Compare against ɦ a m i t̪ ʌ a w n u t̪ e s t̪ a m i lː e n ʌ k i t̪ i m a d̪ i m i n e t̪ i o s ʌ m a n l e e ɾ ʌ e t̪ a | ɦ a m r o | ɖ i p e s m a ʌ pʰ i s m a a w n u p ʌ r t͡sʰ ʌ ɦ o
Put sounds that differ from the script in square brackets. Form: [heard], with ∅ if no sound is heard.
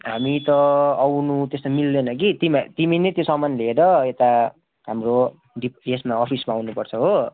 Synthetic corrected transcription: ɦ a m i t̪ ʌ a w n u t̪ e s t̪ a m i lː e n ʌ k i t̪ i m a [t̪] i m i n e t̪ [j] o s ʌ m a n l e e ɾ ʌ e t̪ a | ɦ a m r o | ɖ i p e s m a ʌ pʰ i s m a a w n u p ʌ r t͡sʰ ʌ ɦ o